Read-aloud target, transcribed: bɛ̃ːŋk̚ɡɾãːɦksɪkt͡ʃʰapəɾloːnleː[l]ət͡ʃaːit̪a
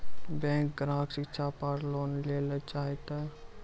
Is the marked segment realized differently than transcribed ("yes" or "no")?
no